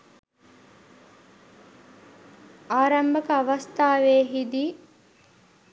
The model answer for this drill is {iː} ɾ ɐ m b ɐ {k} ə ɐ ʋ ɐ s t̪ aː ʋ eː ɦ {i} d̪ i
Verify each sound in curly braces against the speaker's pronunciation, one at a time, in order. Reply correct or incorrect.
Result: incorrect: aː, correct, correct

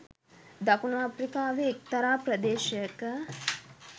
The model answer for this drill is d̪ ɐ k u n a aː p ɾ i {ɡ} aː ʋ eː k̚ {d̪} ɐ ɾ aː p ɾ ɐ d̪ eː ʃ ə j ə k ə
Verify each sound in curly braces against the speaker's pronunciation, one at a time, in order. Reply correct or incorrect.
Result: incorrect: k, incorrect: t̪

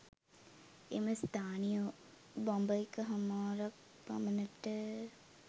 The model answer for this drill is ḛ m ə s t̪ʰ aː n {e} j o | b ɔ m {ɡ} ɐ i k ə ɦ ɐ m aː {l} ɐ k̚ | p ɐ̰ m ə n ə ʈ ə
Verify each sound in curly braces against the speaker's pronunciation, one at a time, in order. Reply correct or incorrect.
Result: incorrect: i, incorrect: b, incorrect: ɾ

